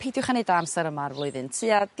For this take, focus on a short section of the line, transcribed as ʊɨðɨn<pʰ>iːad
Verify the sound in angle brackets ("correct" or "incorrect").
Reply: incorrect